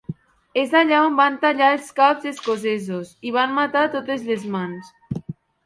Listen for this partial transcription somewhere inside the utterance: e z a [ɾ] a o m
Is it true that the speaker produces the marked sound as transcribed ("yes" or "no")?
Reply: no